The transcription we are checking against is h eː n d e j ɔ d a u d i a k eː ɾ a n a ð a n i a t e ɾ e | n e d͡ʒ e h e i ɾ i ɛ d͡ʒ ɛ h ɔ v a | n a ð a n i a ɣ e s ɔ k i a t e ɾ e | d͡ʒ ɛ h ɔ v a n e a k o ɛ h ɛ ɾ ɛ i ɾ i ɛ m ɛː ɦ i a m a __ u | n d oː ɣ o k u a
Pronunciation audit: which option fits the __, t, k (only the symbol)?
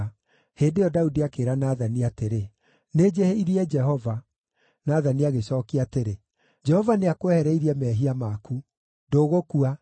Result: k